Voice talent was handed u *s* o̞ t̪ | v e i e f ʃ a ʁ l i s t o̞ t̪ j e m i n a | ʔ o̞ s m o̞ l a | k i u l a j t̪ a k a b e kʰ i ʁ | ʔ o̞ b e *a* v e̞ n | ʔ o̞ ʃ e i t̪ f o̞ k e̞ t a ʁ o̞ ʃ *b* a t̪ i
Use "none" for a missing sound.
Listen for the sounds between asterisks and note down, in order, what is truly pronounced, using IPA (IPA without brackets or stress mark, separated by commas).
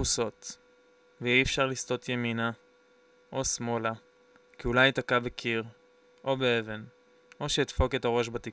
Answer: s, e, b